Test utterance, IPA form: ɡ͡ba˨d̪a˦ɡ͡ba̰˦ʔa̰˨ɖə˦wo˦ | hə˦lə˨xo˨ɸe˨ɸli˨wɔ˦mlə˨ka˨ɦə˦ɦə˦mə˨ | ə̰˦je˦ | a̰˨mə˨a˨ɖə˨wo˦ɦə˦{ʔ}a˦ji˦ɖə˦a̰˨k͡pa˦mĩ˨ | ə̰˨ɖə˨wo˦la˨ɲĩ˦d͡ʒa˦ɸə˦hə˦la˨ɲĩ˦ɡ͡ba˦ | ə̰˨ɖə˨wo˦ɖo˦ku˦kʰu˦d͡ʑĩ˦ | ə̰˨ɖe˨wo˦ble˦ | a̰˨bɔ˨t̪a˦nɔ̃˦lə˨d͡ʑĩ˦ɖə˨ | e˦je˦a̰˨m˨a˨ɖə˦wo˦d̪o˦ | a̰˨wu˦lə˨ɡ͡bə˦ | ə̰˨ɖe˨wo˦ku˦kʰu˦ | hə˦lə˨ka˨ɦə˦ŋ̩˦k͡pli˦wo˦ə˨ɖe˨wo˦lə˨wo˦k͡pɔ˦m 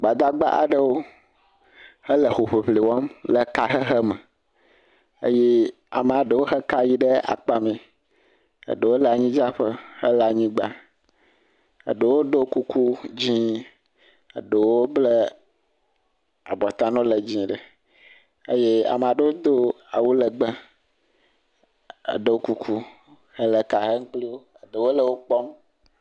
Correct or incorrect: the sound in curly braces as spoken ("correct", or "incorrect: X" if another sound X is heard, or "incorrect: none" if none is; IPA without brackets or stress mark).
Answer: incorrect: k